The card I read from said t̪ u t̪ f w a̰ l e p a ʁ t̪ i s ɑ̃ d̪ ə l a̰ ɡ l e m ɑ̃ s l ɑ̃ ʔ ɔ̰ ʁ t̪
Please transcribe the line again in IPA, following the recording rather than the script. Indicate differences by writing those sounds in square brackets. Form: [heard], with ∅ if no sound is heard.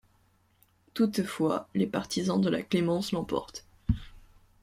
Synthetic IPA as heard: t̪ u t̪ f w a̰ l e p a ʁ t̪ i [z] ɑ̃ d̪ ə l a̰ [k] l e m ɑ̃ s l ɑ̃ [p] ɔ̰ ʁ t̪